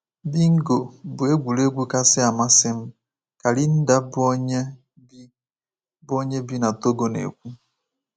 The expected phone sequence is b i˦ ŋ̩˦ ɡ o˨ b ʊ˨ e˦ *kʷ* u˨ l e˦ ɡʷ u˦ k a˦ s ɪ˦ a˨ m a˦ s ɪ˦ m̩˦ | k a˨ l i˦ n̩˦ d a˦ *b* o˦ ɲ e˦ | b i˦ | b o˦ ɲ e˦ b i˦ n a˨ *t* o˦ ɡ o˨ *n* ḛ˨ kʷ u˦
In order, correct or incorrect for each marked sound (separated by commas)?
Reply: incorrect, correct, correct, correct